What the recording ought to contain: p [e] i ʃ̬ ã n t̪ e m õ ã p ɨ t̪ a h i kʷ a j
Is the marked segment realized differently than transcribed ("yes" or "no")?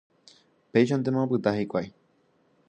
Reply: no